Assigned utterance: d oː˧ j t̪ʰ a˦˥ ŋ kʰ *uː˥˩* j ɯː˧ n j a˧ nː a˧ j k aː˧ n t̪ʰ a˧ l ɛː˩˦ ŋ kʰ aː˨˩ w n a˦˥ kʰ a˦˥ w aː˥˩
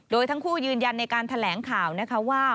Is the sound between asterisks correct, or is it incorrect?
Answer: correct